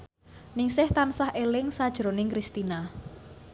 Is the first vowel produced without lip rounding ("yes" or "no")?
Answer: yes